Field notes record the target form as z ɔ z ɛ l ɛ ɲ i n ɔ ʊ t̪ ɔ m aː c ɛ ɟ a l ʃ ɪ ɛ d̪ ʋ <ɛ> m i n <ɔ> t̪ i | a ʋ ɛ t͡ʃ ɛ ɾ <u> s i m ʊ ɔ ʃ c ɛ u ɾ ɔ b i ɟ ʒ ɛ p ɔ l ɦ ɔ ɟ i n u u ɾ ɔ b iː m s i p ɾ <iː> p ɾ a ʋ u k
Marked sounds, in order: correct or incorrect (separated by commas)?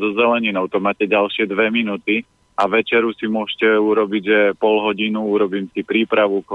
correct, incorrect, correct, correct